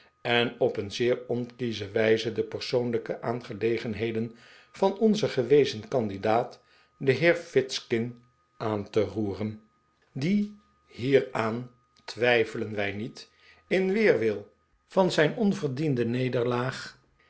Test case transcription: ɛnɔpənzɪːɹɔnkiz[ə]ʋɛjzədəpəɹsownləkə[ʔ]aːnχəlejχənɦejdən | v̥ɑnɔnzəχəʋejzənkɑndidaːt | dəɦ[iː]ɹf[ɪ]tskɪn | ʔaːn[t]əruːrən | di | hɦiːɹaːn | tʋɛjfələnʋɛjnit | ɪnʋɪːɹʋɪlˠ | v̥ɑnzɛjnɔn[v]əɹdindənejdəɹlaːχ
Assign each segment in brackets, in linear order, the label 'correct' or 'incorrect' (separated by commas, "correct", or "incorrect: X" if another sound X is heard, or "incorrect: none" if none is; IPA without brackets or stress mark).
correct, correct, incorrect: ɪː, correct, correct, correct